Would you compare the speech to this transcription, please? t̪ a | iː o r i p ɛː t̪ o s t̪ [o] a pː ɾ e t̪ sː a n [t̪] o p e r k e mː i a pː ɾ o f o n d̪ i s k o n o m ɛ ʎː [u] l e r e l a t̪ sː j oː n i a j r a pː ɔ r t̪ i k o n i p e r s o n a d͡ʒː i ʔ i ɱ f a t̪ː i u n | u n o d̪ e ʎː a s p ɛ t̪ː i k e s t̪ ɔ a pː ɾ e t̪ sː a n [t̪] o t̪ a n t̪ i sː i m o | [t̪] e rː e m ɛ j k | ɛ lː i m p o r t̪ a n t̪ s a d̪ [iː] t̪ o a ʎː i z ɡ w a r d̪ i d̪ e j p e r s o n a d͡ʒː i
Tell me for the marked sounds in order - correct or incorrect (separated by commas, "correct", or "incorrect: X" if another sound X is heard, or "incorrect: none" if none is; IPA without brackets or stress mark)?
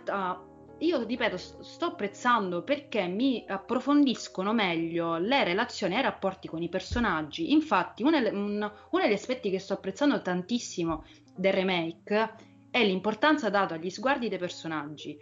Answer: incorrect: ɔ, incorrect: d̪, incorrect: o, incorrect: d̪, incorrect: d̪, incorrect: aː